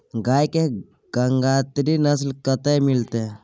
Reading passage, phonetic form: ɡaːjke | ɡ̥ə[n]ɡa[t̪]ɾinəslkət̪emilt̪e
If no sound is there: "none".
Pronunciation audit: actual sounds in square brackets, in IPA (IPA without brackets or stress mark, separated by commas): ŋ, t̪